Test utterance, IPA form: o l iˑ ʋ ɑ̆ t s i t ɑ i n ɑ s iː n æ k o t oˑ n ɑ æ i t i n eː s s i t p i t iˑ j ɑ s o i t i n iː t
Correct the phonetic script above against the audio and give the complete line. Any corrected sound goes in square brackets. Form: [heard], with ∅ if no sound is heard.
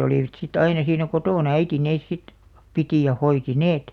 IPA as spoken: o l iˑ ʋ ɑ̆ t s i t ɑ i n ɑ s iː n æ k o t oˑ n ɑ æ i t i n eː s s i t p i t iˑ j ɑ [h] o i t i n [eː] t